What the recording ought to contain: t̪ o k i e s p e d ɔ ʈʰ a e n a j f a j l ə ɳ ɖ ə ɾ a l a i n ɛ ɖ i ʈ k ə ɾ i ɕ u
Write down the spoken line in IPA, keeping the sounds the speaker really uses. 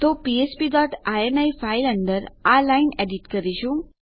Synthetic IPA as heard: t̪ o p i e s p i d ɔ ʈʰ a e n a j f a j l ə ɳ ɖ ə ɾ a l a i n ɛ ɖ i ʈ k ə ɾ i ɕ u